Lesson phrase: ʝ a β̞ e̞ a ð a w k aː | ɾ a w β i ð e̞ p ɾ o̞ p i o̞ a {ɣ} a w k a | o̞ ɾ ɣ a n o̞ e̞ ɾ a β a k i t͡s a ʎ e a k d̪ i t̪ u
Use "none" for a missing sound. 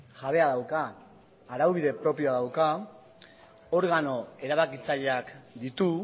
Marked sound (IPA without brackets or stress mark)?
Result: ð